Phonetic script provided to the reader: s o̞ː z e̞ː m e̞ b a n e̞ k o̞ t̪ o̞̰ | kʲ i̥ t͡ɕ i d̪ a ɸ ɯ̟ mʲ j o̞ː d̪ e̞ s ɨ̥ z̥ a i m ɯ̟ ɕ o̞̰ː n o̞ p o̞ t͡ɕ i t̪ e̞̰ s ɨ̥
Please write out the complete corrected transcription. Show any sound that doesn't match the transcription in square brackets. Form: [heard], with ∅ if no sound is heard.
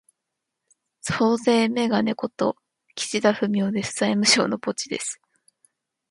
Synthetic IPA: s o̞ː z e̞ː m e̞ [ɡ] a n e̞ k o̞ t̪ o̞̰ | kʲ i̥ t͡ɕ i d̪ a ɸ ɯ̟ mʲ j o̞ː d̪ e̞ s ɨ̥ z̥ a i m ɯ̟ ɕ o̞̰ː n o̞ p o̞ t͡ɕ i [d̪] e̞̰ s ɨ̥